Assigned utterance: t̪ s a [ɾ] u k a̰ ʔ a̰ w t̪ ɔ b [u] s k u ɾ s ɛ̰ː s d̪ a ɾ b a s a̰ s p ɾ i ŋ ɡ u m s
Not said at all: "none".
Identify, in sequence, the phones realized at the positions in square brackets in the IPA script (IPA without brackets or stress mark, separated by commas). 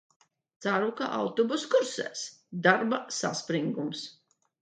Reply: ɾ, u